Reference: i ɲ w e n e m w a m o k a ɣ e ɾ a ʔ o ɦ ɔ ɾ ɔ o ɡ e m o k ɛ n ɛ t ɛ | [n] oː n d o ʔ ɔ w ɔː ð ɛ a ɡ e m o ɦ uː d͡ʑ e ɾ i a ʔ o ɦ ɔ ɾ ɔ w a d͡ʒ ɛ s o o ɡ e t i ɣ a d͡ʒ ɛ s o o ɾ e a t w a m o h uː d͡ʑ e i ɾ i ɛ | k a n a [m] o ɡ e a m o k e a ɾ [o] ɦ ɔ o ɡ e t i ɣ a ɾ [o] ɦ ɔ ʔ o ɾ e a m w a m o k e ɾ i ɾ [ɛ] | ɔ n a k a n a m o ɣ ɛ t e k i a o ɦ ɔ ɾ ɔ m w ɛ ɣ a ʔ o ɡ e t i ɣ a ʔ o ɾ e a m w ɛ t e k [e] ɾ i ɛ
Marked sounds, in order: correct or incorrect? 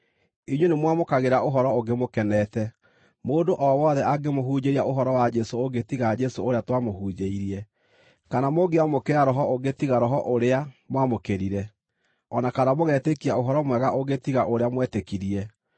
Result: incorrect: m, correct, incorrect: ɔ, incorrect: ɔ, correct, incorrect: i

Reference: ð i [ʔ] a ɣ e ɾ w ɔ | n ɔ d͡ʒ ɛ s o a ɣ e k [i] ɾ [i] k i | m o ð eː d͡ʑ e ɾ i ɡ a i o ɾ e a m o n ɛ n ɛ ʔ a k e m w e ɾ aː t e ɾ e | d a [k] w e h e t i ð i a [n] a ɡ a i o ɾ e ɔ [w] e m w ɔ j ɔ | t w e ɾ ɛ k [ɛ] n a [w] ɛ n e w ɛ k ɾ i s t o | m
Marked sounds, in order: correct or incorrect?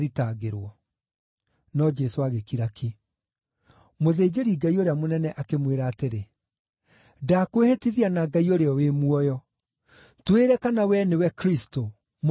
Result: incorrect: t, correct, incorrect: a, correct, correct, correct, incorrect: a, correct

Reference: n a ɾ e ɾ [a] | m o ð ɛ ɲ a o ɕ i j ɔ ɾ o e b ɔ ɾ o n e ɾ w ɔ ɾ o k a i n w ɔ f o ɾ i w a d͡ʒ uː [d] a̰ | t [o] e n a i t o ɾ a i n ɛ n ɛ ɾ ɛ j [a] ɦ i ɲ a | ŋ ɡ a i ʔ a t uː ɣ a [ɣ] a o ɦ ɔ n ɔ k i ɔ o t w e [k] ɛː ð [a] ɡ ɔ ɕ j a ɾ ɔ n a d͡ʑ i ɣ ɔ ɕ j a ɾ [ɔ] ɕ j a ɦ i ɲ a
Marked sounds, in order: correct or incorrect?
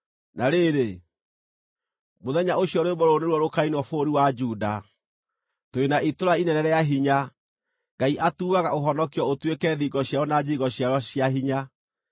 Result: incorrect: e, correct, correct, correct, correct, correct, incorrect: i, correct

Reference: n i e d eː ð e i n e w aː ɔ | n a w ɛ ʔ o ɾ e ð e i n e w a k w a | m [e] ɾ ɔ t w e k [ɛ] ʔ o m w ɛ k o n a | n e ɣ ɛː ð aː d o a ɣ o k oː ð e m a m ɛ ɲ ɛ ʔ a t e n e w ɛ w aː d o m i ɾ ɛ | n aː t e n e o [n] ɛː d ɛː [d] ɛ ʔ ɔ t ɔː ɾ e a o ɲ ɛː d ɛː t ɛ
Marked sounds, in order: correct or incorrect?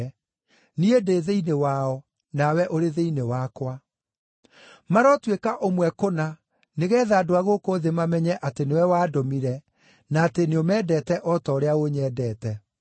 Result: incorrect: a, incorrect: a, incorrect: m, incorrect: t

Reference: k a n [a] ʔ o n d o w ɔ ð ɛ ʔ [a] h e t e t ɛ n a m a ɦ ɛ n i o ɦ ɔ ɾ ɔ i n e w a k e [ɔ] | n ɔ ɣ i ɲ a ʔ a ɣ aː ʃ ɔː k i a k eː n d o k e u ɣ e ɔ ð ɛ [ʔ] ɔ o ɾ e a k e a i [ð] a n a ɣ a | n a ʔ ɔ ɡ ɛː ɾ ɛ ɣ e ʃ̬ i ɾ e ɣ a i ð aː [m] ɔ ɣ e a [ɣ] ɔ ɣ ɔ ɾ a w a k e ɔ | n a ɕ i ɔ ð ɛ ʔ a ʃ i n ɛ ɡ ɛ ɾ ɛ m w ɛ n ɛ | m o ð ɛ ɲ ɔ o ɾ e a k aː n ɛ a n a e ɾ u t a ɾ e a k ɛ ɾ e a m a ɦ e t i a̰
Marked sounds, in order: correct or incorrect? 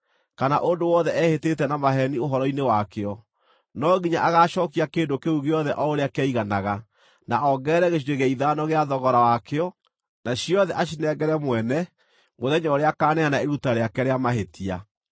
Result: correct, incorrect: ɛ, correct, correct, incorrect: ɣ, incorrect: n, incorrect: ð

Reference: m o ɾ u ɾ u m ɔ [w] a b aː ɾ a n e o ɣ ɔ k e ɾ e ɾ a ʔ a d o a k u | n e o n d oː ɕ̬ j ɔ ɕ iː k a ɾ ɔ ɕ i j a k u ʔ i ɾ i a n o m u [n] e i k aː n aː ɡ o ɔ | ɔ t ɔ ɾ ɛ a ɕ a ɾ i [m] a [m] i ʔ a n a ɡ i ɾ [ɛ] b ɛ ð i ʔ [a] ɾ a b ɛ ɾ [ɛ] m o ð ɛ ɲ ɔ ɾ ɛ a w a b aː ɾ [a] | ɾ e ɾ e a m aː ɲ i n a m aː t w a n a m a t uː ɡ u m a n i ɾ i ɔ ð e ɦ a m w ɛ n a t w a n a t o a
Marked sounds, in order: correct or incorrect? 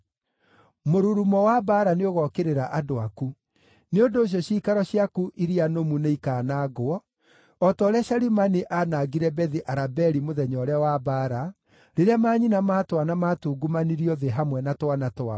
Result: correct, correct, correct, incorrect: n, correct, correct, incorrect: i, correct

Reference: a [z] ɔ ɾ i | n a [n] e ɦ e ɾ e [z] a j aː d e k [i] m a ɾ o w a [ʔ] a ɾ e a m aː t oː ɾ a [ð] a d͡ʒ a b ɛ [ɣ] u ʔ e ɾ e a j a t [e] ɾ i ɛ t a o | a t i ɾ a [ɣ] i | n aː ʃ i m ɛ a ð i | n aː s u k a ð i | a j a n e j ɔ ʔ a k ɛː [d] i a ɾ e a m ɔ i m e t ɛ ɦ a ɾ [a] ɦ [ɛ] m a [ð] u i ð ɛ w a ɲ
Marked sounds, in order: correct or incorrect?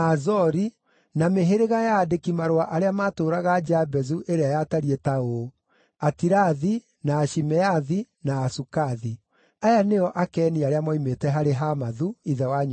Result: correct, incorrect: m, incorrect: ɣ, correct, correct, incorrect: ɣ, incorrect: z, incorrect: a, incorrect: ð, incorrect: n, incorrect: e, incorrect: a, correct

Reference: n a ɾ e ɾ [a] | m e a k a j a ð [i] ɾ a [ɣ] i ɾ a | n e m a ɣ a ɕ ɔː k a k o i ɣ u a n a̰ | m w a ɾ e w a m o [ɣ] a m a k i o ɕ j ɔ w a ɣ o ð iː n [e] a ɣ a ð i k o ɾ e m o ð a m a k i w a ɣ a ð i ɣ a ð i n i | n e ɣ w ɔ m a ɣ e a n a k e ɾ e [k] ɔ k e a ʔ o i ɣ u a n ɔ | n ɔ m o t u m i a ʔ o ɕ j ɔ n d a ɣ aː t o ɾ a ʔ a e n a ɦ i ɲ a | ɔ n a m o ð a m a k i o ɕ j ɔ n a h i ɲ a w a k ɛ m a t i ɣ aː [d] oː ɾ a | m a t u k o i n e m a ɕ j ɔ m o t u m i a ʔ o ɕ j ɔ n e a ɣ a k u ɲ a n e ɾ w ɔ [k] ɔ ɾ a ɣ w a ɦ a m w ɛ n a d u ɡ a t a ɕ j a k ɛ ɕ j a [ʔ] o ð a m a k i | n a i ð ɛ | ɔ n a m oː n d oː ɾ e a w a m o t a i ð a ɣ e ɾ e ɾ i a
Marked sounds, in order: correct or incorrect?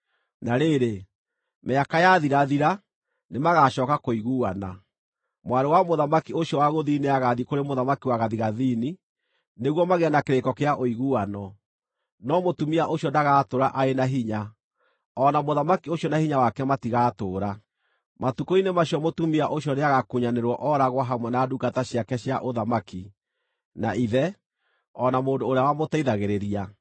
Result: incorrect: e, correct, incorrect: ð, incorrect: ð, correct, correct, incorrect: t, incorrect: ʔ, correct

